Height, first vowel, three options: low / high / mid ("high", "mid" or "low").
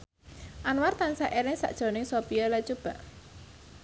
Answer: low